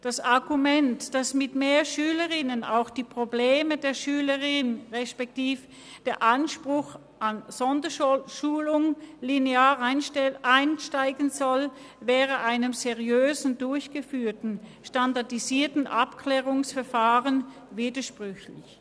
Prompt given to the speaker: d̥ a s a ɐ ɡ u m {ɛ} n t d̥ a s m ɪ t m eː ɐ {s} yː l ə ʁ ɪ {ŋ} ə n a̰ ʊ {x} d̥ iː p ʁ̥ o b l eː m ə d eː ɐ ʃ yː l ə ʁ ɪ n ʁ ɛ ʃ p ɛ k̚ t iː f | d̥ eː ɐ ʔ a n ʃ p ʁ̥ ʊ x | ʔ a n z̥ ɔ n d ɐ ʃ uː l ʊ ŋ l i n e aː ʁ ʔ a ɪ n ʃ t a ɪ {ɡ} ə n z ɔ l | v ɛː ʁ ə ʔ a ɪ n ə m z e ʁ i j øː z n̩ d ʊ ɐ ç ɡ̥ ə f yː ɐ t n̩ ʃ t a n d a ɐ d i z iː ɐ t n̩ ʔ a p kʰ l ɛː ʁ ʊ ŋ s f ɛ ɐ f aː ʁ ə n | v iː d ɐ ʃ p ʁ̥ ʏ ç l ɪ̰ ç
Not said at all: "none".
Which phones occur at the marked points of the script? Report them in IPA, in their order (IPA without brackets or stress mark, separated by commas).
ɛ, ʃ, n, x, ɡ